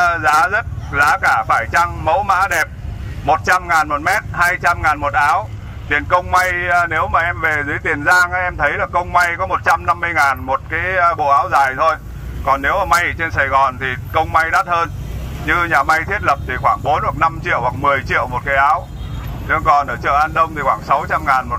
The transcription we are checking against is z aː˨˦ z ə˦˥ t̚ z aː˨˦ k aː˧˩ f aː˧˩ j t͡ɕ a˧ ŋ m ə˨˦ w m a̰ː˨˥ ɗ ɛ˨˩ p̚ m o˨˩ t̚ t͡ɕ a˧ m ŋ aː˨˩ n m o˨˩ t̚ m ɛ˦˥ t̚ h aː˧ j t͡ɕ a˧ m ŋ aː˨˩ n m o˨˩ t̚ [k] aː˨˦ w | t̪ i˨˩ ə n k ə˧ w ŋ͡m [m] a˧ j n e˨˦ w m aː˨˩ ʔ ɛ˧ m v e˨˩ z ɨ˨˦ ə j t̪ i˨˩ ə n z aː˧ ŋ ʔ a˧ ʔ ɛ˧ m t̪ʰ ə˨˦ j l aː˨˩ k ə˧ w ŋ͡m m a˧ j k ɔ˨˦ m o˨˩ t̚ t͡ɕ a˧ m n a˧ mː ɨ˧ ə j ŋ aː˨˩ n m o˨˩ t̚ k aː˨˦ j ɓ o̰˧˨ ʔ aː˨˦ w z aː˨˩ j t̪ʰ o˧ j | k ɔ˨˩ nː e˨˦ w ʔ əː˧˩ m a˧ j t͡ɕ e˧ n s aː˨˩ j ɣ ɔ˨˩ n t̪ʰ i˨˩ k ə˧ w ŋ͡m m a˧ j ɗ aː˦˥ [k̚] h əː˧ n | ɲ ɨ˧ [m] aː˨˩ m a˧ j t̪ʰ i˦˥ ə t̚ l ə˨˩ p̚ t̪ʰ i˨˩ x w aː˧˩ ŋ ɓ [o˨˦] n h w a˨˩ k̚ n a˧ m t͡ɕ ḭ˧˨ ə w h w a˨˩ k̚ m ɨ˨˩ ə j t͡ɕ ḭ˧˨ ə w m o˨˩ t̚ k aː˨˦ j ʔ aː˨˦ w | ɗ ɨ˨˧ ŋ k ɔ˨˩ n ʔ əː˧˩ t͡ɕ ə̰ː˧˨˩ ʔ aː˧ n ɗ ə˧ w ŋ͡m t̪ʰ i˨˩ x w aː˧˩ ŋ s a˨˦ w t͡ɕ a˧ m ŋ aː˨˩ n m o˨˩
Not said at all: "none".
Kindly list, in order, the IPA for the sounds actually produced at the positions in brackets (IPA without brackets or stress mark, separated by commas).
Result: ʔ, m, t̚, ɲ, o˨˦